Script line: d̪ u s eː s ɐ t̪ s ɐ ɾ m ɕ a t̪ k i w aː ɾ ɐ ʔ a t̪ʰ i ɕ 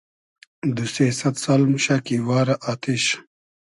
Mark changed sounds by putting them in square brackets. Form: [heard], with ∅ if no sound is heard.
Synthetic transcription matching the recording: d̪ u s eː s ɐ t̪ s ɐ [l] m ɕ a [∅] k i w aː ɾ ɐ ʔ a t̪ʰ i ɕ